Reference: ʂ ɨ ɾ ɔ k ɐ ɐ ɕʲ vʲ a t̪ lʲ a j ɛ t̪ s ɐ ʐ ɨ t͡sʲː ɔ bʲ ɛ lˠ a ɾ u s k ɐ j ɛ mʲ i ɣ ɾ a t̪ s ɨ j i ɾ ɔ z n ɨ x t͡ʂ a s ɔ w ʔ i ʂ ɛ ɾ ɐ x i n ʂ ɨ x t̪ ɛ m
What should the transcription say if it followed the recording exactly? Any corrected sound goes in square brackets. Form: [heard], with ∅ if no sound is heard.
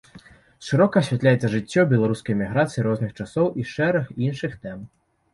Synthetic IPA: ʂ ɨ ɾ ɔ k ɐ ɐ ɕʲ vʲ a t̪ lʲ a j ɛ t̪ s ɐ ʐ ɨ t͡sʲː ɔ bʲ ɛ lˠ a ɾ u s k ɐ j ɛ mʲ i ɣ ɾ a t̪ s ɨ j i ɾ ɔ z n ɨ x t͡ʂ a s ɔ w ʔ i ʂ ɛ ɾ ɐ x i n ʂ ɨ x t̪ ɛ m

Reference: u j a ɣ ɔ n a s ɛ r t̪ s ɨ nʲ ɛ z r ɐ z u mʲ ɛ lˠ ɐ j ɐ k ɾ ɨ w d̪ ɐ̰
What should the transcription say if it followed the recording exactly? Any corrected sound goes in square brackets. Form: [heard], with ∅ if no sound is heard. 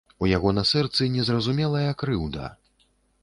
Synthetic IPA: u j a ɣ ɔ n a s ɛ r t̪ s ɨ nʲ ɛ z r ɐ z u mʲ ɛ lˠ ɐ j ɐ k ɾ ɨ w d̪ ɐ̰

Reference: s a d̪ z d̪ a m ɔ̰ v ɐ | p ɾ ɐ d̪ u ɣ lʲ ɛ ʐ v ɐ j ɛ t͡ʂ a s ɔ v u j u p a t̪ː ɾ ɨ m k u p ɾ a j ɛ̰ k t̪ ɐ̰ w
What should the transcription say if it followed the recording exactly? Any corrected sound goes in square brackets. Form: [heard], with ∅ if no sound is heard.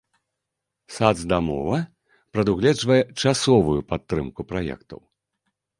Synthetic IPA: s a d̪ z d̪ a m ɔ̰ v ɐ | p ɾ ɐ d̪ u ɣ lʲ ɛ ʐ v ɐ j ɛ t͡ʂ a s ɔ v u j u p a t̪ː ɾ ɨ m k u p ɾ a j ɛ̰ k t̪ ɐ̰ w

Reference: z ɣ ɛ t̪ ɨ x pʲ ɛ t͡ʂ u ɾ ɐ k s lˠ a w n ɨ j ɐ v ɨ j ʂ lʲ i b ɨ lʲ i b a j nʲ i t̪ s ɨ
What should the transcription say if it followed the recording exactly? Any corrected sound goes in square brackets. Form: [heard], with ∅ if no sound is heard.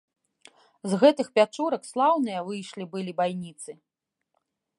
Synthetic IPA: z ɣ ɛ t̪ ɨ x pʲ [a] t͡ʂ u ɾ ɐ k s lˠ a w n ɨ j ɐ v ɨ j ʂ lʲ i b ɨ lʲ i b a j nʲ i t̪ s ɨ

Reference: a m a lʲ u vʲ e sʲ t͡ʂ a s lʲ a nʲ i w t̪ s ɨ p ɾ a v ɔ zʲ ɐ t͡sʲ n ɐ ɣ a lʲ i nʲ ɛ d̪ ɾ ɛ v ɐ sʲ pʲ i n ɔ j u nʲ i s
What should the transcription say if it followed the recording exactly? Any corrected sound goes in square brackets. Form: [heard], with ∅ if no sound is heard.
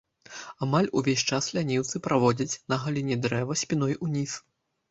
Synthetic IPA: a m a lʲ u vʲ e sʲ t͡ʂ a s lʲ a nʲ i w t̪ s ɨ p ɾ a v ɔ [d͡zʲ] ɐ t͡sʲ n ɐ ɣ a lʲ i nʲ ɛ d̪ ɾ ɛ v ɐ sʲ pʲ i n ɔ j u nʲ i s

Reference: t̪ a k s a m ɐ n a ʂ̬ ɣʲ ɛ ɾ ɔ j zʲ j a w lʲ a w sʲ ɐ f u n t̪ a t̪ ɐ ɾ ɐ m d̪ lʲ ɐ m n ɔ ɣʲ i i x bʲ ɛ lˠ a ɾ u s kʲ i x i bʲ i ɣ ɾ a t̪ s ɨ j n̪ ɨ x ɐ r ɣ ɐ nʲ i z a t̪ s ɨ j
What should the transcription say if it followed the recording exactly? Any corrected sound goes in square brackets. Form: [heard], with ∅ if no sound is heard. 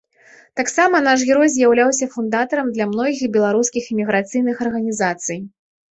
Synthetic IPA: t̪ a k s a m ɐ n a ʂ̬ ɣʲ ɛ ɾ ɔ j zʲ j a w lʲ a w sʲ ɐ f u n [d̪] a t̪ ɐ ɾ ɐ m d̪ lʲ ɐ m n ɔ ɣʲ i i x bʲ ɛ lˠ a ɾ u s kʲ i x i [mʲ] i ɣ ɾ a t̪ s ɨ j n̪ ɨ x ɐ r ɣ ɐ nʲ i z a t̪ s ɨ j

